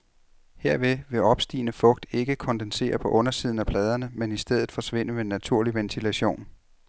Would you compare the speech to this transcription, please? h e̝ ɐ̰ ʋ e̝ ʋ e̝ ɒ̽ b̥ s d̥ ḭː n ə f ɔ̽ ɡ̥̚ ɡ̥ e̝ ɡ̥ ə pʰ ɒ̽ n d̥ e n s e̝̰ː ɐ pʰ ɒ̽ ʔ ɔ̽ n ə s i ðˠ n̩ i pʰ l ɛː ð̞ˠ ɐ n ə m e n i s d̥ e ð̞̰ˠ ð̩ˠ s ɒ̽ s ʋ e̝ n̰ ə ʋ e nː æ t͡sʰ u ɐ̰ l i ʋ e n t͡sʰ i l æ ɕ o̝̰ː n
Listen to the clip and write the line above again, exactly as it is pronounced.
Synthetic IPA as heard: h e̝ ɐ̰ ʋ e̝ ʋ e̝ ɒ̽ b̥ s d̥ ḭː n ə f ɔ̽ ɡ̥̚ d̥ e̝ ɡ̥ ə kʰ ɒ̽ n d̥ e n s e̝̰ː ɐ pʰ ɒ̽ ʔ ɔ̽ n ɐ s i ðˠ n̩ æ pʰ l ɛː ð̞ˠ ɐ n ə m e n i s d̥ e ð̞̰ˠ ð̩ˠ f ɒ̽ s ʋ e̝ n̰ ə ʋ e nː æ t͡sʰ u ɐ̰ l i ʋ e n t͡sʰ i l æ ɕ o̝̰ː n